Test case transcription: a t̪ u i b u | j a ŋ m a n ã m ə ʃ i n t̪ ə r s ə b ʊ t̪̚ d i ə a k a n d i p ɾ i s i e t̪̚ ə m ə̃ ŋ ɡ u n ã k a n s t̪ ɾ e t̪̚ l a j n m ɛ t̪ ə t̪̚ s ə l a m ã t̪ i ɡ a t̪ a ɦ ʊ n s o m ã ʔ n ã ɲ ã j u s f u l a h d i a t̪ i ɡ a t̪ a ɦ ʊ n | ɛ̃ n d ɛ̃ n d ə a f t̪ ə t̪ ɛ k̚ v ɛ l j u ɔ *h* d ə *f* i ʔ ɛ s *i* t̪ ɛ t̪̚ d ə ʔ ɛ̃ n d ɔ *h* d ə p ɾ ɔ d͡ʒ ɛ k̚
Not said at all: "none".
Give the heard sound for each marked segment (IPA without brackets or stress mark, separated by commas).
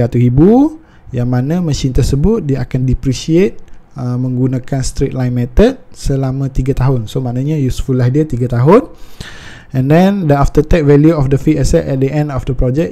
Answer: f, f, ɛ, f